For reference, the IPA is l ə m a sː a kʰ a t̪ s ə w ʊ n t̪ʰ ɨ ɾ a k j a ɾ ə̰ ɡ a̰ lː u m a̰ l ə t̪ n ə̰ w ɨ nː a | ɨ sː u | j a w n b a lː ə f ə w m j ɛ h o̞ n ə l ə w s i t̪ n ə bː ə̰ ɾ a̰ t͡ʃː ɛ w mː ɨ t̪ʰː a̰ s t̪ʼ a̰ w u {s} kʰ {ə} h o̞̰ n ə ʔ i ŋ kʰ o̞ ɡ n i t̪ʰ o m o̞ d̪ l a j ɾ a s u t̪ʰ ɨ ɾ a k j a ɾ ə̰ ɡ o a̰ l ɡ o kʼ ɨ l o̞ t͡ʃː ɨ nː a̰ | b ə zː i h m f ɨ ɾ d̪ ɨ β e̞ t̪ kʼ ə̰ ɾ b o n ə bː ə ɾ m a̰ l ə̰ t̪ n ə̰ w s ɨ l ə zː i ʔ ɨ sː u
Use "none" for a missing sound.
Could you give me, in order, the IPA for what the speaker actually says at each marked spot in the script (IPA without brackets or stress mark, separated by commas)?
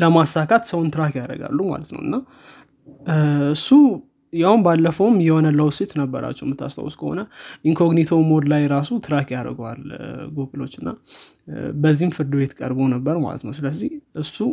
s, ə